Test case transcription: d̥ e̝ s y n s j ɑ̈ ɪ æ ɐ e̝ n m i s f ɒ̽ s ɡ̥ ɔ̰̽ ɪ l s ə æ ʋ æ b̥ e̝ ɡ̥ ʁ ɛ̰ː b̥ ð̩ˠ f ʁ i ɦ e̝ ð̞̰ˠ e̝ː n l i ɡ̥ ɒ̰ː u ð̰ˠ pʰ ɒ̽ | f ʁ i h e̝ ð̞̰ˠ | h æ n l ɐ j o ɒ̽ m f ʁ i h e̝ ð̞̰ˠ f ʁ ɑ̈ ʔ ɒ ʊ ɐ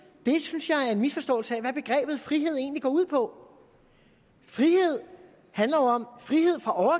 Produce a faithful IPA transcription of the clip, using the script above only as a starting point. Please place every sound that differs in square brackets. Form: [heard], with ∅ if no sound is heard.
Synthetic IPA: d̥ e̝ s y n s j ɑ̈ ɪ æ ɐ e̝ n m i s f ɒ̽ s [d̥] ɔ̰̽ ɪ l s ə æ ʋ æ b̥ e̝ ɡ̥ ʁ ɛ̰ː b̥ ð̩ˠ f ʁ i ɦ e̝ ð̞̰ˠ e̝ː n l i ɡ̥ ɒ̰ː u ð̰ˠ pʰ ɒ̽ | f ʁ i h e̝ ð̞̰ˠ | h æ n l ɐ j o ɒ̽ m f ʁ i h e̝ ð̞̰ˠ f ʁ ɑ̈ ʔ ɒ ʊ ɐ